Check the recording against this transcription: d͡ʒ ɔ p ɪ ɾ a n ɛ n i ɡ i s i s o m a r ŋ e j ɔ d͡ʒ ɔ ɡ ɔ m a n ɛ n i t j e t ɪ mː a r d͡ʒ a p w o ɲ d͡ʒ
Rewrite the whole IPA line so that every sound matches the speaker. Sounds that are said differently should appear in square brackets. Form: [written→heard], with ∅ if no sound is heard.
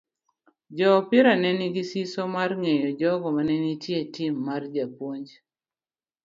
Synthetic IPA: d͡ʒ ɔ p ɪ ɾ a n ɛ n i ɡ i s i s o m a r ŋ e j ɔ d͡ʒ ɔ ɡ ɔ m a n ɛ n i t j e t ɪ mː a r d͡ʒ a p w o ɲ d͡ʒ